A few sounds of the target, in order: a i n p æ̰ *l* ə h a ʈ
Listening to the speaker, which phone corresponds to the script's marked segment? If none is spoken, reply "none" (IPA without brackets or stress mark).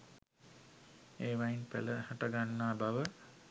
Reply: l